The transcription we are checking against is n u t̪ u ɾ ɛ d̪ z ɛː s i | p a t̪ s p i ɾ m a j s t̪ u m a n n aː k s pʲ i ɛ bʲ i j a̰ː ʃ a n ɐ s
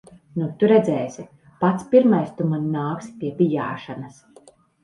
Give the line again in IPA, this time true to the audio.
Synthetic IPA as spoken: n u t̪ u ɾ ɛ d̪ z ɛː s i | p a t̪ s p i ɾ m a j s t̪ u m a n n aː k s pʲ i ɛ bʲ i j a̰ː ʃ a n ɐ s